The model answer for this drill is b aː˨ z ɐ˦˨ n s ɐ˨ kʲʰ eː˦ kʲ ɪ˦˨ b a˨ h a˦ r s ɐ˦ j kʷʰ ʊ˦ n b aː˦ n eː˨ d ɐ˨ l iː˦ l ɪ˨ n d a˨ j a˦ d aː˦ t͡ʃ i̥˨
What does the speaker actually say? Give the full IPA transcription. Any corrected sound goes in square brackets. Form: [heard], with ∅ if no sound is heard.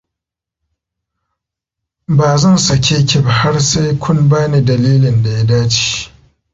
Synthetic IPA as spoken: b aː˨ z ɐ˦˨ n s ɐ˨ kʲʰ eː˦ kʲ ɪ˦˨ b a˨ h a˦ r s [a˦] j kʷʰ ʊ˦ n b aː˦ n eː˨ d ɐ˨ l iː˦ l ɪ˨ n d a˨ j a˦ d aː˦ t͡ʃ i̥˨